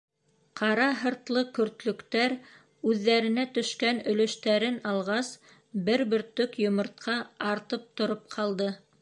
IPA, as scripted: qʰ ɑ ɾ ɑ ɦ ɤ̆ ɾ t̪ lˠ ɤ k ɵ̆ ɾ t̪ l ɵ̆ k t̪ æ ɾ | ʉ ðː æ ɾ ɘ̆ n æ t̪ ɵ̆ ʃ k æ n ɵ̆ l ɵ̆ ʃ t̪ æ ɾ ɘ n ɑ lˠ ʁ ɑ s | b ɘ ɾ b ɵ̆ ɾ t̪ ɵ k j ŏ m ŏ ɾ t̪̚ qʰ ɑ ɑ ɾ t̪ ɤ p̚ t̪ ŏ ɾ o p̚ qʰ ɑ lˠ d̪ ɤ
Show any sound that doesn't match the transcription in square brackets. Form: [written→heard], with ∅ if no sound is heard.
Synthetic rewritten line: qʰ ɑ ɾ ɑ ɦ ɤ̆ ɾ t̪ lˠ ɤ k ɵ̆ ɾ t̪ l ɵ̆ k t̪ æ ɾ | ʉ ðː æ ɾ ɘ̆ n æ t̪ ɵ̆ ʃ k æ n ɵ̆ l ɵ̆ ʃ t̪ æ ɾ ɘ n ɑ lˠ ʁ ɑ s | b ɘ ɾ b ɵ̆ ɾ t̪ ɵ k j ŏ m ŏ ɾ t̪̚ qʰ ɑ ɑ ɾ t̪ ɤ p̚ t̪ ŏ ɾ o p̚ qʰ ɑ lˠ d̪ ɤ